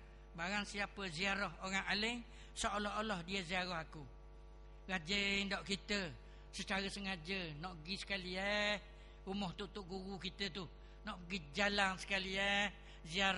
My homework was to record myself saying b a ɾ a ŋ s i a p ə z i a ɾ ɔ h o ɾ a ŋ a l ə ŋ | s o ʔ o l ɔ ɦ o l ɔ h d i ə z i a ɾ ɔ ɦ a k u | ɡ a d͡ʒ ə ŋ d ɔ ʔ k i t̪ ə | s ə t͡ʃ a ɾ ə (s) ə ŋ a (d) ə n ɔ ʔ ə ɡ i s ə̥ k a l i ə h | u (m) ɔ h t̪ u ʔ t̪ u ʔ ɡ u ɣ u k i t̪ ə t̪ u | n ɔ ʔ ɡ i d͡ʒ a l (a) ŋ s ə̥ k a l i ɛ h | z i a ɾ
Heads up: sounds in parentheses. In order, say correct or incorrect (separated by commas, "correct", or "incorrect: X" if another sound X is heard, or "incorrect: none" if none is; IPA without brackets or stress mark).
correct, incorrect: d͡ʒ, correct, correct